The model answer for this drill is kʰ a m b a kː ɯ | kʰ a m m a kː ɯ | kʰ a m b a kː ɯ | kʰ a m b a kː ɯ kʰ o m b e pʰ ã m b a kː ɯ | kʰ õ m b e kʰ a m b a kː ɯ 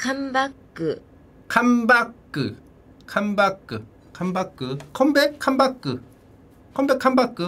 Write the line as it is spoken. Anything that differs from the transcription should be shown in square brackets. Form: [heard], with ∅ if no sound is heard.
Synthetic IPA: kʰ a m b a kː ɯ | kʰ a m [b] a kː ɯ | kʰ a m b a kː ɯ | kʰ a m b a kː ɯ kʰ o m b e [kʰ] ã m b a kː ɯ | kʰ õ m b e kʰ a m b a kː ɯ